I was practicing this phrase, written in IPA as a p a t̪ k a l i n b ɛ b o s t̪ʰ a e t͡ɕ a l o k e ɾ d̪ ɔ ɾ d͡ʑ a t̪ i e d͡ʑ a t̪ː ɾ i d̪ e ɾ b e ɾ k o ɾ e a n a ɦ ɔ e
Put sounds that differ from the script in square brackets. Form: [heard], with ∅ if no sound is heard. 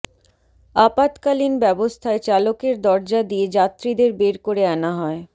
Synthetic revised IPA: a p a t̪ k a l i n b ɛ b o s t̪ʰ a e t͡ɕ a l o k e ɾ d̪ ɔ ɾ d͡ʑ a [d̪] i e d͡ʑ a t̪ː ɾ i d̪ e ɾ b e ɾ k o ɾ e a n a ɦ ɔ e